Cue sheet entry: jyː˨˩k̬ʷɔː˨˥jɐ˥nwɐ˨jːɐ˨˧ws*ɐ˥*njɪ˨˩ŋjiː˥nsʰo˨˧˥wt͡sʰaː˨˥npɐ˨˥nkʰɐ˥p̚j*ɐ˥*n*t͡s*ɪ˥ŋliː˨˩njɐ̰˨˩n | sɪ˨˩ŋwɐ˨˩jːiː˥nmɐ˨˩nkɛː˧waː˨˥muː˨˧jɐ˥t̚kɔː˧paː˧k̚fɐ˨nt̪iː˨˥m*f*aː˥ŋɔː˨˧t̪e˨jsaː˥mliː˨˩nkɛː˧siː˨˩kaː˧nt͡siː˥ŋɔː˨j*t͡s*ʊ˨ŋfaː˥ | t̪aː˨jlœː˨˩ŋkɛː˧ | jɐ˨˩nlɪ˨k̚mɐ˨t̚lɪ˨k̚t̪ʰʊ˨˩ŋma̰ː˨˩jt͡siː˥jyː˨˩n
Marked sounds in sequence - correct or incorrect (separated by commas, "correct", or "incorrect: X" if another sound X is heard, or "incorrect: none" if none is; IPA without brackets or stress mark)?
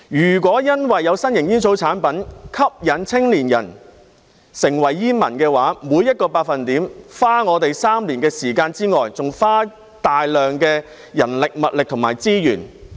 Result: correct, incorrect: ɐ˨˥, incorrect: t͡sʰ, correct, correct